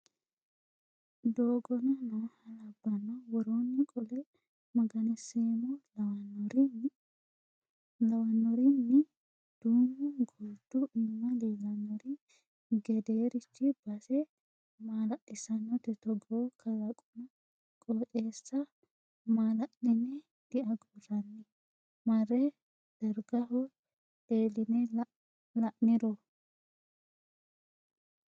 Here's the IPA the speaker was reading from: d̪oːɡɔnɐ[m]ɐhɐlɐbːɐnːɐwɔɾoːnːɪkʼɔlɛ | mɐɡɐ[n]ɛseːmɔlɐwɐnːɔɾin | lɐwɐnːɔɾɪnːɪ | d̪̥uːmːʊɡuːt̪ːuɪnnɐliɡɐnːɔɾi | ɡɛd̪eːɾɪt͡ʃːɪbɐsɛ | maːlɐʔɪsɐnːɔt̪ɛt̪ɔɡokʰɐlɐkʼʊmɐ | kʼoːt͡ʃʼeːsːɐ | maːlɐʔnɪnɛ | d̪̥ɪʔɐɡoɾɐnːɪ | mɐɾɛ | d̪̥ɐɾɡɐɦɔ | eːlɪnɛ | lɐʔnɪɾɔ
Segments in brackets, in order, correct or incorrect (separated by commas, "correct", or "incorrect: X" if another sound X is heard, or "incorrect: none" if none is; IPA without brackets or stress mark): incorrect: n, correct